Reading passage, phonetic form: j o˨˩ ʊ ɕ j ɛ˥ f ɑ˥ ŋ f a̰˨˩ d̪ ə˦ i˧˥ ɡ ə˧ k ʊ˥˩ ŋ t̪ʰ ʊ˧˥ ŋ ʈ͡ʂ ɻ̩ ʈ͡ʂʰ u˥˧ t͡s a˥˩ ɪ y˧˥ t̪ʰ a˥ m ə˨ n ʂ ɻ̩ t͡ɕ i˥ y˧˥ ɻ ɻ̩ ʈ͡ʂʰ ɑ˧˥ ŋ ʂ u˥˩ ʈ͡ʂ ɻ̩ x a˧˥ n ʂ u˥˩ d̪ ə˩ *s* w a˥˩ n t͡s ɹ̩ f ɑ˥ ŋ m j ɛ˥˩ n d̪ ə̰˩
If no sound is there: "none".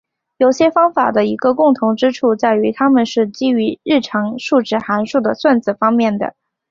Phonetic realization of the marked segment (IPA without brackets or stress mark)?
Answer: s